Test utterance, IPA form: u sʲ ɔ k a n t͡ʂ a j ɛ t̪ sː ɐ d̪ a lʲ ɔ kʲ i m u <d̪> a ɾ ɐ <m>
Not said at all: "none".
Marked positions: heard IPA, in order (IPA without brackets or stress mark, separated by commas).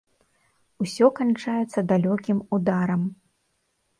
d̪, m